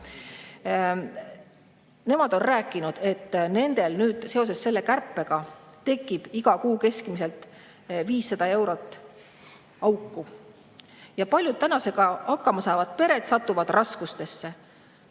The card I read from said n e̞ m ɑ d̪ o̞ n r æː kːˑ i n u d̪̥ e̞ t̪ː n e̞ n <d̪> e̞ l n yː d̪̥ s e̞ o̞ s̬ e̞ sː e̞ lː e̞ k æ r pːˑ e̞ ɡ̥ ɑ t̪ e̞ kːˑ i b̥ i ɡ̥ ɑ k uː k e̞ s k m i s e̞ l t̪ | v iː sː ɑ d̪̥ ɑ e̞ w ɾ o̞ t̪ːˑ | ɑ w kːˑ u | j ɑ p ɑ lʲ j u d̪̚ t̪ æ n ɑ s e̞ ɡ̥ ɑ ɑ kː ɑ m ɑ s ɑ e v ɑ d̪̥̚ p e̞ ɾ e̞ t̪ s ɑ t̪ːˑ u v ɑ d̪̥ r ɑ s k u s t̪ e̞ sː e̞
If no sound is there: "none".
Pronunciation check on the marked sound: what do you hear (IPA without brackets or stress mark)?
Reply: d̪